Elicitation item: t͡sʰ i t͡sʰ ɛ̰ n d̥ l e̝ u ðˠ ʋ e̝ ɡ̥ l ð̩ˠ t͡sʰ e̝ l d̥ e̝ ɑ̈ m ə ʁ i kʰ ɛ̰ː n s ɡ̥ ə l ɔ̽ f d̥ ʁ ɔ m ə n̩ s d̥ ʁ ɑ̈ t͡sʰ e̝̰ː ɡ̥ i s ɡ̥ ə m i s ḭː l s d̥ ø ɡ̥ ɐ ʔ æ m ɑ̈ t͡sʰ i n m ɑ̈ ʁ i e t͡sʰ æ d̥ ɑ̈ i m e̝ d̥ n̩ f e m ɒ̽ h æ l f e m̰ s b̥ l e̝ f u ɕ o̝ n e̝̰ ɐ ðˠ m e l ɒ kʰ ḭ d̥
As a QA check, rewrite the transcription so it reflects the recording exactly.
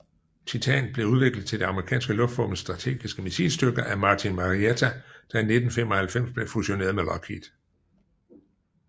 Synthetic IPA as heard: t͡sʰ i t͡sʰ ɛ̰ n b̥ l e̝ u ðˠ ʋ e̝ ɡ̥ l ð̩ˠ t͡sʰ e̝ l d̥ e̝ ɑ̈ m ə ʁ i kʰ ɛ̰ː n s ɡ̥ ə l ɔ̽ f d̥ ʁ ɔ m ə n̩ s d̥ ʁ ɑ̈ t͡sʰ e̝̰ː ɡ̥ i s ɡ̥ ə m i s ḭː l s d̥ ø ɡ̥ ɐ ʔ æ m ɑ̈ t͡sʰ i n m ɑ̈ ʁ i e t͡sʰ æ d̥ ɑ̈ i n e̝ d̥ n̩ f e m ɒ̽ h æ l f e m̰ s b̥ l e̝ f u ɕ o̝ n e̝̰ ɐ ðˠ m e l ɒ kʰ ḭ d̥

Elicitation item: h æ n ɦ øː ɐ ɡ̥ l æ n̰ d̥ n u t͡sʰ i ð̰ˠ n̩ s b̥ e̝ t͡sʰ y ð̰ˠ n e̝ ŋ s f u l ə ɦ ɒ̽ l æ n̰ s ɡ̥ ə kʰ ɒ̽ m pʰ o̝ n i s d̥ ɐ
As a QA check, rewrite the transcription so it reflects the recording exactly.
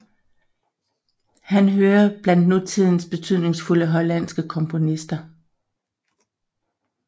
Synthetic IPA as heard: h æ n ɦ øː ɐ b̥ l æ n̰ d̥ n u t͡sʰ i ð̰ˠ n̩ s b̥ e̝ t͡sʰ y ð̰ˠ n e̝ ŋ s f u l ə ɦ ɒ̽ l æ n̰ s ɡ̥ ə kʰ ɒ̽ m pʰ o̝ n i s d̥ ɐ

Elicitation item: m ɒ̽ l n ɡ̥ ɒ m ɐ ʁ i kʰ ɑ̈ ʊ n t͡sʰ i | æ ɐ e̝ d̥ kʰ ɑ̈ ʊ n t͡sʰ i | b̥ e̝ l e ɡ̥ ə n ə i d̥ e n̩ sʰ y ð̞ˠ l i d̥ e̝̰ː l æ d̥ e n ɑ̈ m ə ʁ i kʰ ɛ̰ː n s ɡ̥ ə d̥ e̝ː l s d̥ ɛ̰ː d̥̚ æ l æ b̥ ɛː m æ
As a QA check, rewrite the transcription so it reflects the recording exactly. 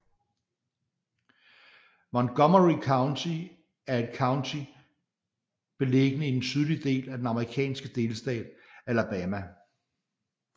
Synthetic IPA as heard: m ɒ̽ n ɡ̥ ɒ m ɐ ʁ i kʰ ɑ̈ ʊ n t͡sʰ i | æ ɐ e̝ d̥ kʰ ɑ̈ ʊ n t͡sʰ i | b̥ e̝ l e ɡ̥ ə n ə i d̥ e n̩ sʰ y ð̞ˠ l i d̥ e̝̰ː l æ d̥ e n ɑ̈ m ə ʁ i kʰ ɛ̰ː n s ɡ̥ ə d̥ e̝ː l s d̥ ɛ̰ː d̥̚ æ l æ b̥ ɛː m æ

